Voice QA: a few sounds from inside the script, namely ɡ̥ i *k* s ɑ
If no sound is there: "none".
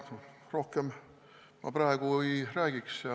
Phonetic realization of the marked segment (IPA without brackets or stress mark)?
k